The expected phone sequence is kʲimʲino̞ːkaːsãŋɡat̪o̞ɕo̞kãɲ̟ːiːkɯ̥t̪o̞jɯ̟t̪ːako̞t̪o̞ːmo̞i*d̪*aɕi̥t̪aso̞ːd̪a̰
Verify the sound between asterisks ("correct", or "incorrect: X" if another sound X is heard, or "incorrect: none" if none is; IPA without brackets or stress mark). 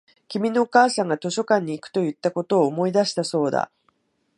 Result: correct